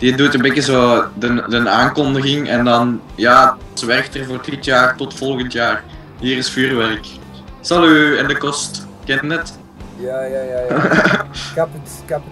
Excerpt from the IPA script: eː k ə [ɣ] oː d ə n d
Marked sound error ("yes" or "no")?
yes